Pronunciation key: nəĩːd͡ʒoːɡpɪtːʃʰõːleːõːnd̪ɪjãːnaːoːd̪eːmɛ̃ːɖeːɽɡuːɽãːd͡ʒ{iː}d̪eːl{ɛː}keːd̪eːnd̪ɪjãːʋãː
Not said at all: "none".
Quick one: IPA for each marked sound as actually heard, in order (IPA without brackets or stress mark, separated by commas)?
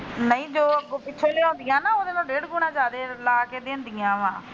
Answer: aː, aː